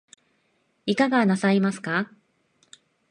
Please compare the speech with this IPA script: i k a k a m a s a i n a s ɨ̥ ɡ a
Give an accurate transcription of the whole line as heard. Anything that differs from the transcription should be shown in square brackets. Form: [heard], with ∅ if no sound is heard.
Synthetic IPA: i k a [ɡ] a [n] a s a i [m] a s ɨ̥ [k] a